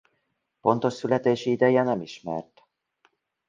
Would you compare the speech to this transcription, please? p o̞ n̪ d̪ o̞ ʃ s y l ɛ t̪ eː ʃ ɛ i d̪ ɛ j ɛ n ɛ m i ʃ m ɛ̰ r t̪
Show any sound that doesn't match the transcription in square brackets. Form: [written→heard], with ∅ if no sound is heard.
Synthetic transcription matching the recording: p o̞ n̪ [d̪→t̪] o̞ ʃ s y l ɛ t̪ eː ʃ [ɛ→i] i d̪ ɛ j ɛ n ɛ m i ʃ m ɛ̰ r t̪